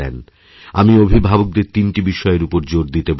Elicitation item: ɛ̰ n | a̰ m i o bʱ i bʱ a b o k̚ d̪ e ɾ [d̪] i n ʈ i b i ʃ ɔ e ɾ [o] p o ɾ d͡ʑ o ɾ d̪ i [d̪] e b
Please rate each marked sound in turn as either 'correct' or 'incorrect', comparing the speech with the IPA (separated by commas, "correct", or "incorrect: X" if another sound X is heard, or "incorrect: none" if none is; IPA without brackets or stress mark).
incorrect: t̪, incorrect: u, incorrect: t̪